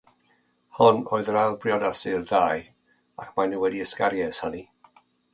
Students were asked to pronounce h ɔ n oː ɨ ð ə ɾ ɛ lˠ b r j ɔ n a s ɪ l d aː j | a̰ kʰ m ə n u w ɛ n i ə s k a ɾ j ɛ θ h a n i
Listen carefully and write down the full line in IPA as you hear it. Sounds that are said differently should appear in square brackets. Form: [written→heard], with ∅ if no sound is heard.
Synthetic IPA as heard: h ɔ n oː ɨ ð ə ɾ [ɛ→a] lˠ b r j ɔ [n→d] a s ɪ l d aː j | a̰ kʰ m [ə→a] n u w ɛ [n→d] i ə s k a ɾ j ɛ [θ→s] h a n i